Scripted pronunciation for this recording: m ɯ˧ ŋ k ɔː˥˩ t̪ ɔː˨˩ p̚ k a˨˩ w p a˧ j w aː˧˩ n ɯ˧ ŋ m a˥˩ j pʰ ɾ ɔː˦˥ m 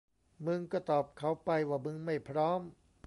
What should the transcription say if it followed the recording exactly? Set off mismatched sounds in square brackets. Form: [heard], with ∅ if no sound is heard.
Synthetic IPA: m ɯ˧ ŋ k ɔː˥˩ t̪ ɔː˨˩ p̚ [kʰ] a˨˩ w p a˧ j w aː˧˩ [m] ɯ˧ ŋ m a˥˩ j pʰ ɾ ɔː˦˥ m

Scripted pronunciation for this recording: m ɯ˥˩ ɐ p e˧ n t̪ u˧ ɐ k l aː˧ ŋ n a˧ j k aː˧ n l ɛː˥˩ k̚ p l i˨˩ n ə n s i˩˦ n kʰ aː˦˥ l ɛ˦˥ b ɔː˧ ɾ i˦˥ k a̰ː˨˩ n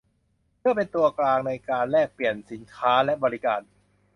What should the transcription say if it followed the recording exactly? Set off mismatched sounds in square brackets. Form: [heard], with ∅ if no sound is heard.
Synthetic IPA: m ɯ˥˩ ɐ p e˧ n t̪ u˧ ɐ k l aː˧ ŋ n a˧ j k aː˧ n l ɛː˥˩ k̚ p l i˨˩ [∅] ə n s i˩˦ n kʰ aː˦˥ l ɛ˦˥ b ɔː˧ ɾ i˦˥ k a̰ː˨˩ n

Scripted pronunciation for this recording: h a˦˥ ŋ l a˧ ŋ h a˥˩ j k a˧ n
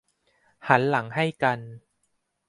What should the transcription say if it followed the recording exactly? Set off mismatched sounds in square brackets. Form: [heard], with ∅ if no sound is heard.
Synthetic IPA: h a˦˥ [n] l [a˩˦] ŋ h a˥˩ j k a˧ n

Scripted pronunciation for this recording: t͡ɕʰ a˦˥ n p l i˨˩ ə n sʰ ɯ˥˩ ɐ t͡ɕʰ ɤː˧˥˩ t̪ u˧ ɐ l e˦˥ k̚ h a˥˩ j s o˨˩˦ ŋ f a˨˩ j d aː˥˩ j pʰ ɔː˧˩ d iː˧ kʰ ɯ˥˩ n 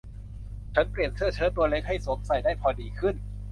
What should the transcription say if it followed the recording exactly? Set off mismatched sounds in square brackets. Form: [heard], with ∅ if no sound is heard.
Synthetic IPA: t͡ɕʰ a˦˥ n p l i˨˩ ə n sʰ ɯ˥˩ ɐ t͡ɕʰ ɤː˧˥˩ t̪ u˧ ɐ l e˦˥ k̚ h a˥˩ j s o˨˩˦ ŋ [s] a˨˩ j d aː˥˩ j pʰ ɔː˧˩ d iː˧ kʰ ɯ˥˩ n

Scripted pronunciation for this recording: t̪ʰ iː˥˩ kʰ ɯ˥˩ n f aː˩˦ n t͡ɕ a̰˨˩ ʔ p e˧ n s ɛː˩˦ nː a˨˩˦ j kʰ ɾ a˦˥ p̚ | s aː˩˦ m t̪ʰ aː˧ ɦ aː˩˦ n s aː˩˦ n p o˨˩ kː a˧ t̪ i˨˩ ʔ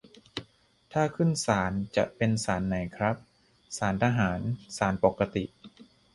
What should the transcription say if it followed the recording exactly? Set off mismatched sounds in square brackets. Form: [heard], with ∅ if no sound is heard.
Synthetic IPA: t̪ʰ [aː˥˩] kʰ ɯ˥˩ n [s] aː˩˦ n t͡ɕ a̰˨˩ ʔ p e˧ n s [aː˩˦] nː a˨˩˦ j kʰ ɾ a˦˥ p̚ | s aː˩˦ [n] t̪ʰ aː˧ ɦ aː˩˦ n s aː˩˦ n p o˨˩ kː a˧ t̪ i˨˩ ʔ

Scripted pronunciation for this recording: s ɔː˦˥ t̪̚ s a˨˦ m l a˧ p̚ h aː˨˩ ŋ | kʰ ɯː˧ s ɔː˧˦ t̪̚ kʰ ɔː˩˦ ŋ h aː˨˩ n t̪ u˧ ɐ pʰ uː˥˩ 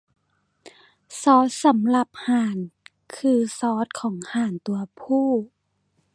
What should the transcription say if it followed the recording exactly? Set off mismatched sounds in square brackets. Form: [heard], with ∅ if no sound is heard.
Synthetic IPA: s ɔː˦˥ t̪̚ s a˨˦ m l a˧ p̚ h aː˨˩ [n] | kʰ ɯː˧ s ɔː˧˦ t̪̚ kʰ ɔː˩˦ ŋ h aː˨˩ n t̪ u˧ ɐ pʰ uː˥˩

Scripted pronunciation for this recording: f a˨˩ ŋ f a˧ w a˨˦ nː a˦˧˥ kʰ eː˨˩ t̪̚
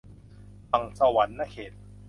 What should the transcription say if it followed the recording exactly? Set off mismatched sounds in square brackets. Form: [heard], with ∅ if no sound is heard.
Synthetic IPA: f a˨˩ ŋ [s] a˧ w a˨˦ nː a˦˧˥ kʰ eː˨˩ t̪̚

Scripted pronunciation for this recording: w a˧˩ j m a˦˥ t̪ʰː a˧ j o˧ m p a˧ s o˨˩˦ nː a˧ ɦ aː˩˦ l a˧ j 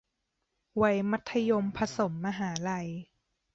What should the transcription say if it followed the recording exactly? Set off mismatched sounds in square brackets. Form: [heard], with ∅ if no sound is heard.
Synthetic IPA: w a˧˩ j m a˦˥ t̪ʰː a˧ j o˧ m [pʰ] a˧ s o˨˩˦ [mː] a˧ ɦ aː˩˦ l a˧ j

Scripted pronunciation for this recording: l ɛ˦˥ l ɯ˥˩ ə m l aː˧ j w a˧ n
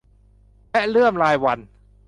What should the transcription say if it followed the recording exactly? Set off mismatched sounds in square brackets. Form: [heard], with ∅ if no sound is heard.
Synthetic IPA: l ɛ˦˥ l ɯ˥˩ ə m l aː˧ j w a˧ n

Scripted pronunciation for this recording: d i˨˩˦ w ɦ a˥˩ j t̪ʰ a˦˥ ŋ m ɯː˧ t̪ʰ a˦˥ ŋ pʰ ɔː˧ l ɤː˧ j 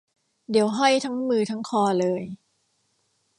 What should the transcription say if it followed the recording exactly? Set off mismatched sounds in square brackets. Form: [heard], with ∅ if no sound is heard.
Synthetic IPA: d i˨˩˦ w ɦ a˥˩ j t̪ʰ a˦˥ ŋ m ɯː˧ t̪ʰ a˦˥ ŋ [kʰ] ɔː˧ l ɤː˧ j

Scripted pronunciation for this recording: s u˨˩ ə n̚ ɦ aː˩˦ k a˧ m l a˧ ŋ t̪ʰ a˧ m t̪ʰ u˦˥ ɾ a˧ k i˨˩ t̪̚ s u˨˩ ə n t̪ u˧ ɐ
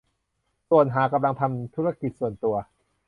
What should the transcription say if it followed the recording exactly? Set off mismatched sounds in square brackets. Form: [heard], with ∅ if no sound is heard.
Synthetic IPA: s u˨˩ ə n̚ ɦ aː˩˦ k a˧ m l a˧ ŋ t̪ʰ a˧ m t̪ʰ u˦˥ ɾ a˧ k i˨˩ t̪̚ s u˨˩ ə n t̪ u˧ ɐ

